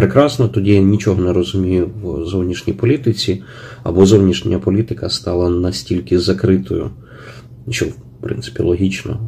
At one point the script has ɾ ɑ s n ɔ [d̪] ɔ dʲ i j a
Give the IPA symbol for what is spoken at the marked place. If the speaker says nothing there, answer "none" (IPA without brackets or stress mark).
t̪